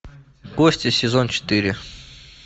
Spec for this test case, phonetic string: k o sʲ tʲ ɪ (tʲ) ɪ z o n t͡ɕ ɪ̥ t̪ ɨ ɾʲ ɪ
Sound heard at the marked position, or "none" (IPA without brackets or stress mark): sʲ